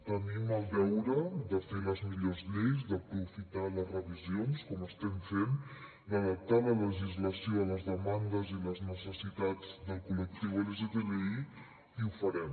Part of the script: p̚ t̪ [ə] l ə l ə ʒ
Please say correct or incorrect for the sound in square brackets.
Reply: incorrect: a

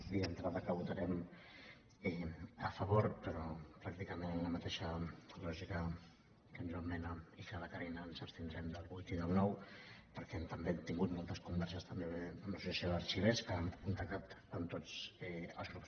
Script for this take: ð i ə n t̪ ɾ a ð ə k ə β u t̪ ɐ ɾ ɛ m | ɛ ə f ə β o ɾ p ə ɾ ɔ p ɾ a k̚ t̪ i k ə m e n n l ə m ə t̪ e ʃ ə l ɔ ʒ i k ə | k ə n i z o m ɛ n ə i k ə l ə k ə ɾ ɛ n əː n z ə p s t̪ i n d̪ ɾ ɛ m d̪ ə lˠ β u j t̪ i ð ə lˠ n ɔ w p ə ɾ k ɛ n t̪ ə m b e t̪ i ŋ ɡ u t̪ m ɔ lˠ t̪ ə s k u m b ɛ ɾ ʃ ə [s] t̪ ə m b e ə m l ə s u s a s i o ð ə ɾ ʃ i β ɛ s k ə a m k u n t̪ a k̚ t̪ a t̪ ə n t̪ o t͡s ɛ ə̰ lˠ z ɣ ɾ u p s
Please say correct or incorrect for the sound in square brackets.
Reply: correct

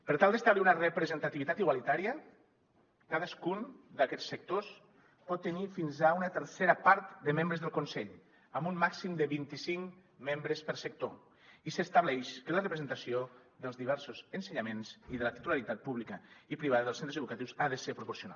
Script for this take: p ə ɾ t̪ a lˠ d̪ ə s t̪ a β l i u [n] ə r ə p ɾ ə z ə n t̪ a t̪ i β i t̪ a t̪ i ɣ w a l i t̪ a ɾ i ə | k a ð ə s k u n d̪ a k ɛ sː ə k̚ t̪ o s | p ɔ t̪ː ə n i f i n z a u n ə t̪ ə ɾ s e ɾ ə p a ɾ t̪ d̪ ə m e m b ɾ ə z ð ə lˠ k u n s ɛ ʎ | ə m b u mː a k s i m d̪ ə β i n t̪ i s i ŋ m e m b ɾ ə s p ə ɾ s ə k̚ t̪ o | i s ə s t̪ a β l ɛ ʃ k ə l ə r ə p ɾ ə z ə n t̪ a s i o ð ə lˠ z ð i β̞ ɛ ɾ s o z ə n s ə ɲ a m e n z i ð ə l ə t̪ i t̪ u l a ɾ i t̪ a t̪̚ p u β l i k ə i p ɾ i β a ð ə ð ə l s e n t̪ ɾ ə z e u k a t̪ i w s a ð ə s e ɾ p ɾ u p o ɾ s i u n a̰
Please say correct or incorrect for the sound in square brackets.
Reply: correct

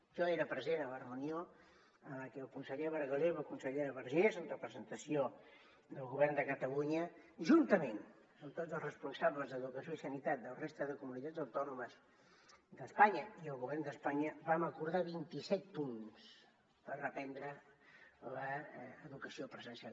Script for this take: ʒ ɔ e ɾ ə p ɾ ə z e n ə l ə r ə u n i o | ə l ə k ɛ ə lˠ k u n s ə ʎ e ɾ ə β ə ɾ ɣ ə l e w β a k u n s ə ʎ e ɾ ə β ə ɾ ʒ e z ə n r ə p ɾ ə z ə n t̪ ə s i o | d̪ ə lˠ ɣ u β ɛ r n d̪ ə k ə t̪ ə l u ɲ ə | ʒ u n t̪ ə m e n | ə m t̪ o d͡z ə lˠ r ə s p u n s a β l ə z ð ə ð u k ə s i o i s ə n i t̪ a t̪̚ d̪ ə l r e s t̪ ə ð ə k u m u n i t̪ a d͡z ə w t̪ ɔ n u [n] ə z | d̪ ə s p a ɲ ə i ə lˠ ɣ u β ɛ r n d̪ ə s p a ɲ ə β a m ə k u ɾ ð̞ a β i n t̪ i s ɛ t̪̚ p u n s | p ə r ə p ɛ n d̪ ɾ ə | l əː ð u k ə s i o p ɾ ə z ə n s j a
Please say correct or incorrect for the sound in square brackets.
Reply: incorrect: m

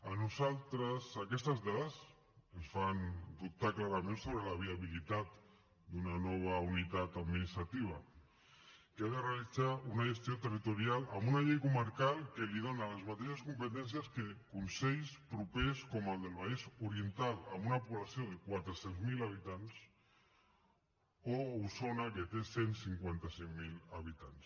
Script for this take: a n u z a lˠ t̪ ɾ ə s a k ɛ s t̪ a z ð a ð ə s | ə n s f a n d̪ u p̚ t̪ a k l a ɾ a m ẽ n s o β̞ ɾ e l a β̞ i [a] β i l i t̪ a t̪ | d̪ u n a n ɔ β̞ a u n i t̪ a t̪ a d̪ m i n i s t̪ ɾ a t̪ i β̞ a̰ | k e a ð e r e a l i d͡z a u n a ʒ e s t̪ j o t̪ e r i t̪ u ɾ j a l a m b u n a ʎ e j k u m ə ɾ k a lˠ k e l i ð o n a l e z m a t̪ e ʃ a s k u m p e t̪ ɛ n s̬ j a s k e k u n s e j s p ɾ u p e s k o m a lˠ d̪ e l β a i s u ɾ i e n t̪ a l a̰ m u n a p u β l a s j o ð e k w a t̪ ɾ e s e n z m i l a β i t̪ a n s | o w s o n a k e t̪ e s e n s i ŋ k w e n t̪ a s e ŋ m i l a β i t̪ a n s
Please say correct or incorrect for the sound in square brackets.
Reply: correct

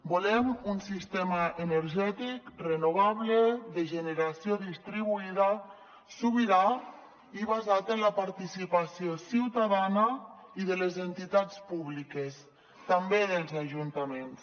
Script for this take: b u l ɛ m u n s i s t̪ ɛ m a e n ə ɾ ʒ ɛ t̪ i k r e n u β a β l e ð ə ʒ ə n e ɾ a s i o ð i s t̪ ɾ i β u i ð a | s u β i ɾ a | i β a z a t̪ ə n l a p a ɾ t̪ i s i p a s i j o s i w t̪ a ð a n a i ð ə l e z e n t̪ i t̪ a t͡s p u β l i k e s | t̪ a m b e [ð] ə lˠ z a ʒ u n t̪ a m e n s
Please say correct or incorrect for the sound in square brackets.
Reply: correct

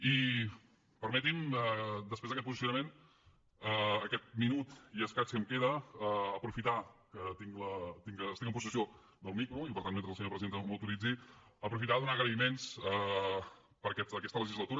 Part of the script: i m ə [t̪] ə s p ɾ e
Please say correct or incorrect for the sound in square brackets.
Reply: incorrect: d̪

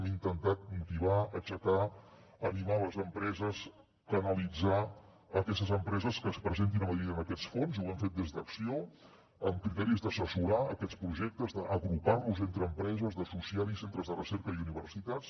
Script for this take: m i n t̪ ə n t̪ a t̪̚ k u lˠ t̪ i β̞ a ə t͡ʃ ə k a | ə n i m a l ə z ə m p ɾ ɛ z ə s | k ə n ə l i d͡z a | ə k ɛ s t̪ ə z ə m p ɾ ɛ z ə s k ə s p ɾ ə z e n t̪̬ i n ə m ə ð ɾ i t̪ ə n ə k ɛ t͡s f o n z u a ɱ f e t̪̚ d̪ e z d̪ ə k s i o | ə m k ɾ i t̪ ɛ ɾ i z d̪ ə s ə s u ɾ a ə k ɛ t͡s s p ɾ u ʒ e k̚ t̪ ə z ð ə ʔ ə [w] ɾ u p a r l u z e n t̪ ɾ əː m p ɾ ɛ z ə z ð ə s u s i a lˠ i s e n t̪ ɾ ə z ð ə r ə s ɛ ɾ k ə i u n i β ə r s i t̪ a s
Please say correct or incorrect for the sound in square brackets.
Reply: incorrect: ɣ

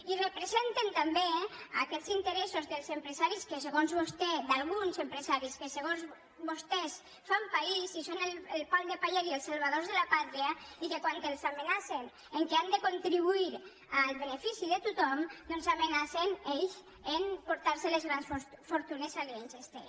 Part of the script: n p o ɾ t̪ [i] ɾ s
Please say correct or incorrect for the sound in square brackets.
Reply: incorrect: a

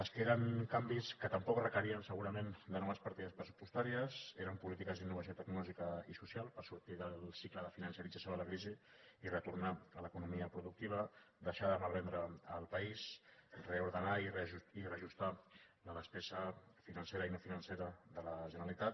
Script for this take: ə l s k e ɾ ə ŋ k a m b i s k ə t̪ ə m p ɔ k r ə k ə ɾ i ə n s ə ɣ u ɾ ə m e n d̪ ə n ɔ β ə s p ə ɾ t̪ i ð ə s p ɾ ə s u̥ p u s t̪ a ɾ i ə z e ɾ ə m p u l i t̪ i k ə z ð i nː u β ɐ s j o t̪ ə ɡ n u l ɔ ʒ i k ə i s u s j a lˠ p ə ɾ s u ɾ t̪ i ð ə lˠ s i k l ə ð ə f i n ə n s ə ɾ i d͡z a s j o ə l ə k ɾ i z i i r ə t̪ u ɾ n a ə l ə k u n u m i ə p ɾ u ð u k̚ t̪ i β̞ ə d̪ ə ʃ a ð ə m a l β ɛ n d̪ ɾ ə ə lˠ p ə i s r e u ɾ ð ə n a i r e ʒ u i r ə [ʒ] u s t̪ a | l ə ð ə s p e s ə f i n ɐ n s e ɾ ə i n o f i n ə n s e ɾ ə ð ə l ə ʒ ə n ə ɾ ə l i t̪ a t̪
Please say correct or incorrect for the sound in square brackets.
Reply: correct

